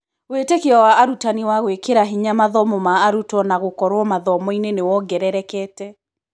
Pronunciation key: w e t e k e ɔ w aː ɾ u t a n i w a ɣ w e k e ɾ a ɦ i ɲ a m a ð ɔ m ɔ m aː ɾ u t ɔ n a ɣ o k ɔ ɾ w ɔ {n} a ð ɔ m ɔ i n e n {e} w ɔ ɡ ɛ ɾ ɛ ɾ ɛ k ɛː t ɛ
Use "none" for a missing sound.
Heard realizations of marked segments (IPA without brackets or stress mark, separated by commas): m, e